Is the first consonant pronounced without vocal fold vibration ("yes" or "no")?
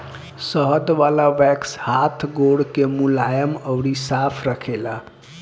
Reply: yes